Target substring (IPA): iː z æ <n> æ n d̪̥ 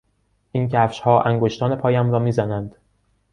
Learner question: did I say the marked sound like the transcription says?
yes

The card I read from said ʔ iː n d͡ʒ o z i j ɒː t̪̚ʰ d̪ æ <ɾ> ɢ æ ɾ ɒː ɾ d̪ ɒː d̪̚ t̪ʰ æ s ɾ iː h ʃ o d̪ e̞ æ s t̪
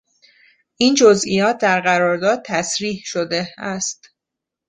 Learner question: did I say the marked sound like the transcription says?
yes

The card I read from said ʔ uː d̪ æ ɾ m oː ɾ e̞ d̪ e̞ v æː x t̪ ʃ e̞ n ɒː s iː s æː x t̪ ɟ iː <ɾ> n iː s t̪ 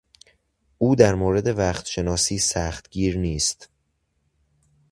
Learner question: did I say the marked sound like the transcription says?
yes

